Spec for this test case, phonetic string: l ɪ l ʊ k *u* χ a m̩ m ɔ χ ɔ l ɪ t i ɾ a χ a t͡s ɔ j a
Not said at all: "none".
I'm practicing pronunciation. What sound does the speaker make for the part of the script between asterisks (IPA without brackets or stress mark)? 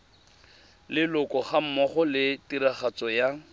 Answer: ɔ